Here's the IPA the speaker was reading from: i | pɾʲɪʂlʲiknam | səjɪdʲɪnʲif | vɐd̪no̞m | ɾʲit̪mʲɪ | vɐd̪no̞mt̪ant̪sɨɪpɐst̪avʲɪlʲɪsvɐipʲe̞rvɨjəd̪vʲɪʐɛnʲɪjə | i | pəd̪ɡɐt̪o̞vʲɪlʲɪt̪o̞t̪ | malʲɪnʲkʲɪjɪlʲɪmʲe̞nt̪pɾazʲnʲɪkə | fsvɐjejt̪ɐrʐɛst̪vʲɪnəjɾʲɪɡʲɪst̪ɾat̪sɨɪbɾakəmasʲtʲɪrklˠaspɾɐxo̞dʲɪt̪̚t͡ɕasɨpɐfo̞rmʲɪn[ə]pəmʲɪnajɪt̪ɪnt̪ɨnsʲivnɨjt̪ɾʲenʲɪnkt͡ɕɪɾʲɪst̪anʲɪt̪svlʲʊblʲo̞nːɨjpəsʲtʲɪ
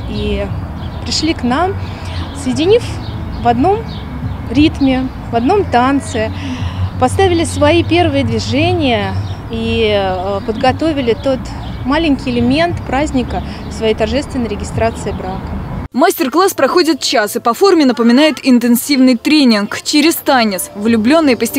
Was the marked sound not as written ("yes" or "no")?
no